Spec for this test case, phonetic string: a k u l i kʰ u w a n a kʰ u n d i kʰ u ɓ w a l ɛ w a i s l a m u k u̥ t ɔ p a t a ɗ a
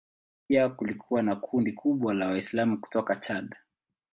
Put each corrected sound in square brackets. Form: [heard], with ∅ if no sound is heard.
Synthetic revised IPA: a k u l i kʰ u w a n a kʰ u n d i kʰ u ɓ w a l [a] w a i s l a m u k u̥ t ɔ [k] a [t͡ʃ] a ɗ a